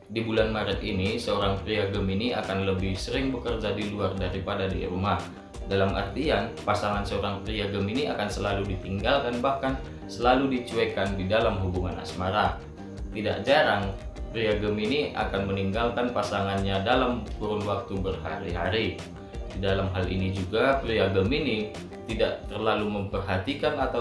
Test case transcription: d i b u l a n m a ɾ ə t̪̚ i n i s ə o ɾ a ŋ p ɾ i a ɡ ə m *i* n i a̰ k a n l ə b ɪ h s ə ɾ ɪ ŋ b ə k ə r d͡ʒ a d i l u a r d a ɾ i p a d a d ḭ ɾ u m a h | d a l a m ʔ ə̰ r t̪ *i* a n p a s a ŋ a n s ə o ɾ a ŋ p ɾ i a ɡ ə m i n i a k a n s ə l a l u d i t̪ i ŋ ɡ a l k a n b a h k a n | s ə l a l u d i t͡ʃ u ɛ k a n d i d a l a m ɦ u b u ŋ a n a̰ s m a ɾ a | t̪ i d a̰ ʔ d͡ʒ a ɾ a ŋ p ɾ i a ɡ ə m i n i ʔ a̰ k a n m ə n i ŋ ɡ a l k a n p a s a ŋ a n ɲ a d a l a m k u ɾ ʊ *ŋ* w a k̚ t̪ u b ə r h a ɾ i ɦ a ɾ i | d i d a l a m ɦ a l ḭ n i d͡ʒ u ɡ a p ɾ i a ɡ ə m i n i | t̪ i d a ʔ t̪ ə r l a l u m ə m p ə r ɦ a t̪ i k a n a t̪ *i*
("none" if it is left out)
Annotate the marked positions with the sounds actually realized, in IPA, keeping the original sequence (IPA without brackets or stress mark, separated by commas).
i, i, n, a